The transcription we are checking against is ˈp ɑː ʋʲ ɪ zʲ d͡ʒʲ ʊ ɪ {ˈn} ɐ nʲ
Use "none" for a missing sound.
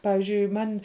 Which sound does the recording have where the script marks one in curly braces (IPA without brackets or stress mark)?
m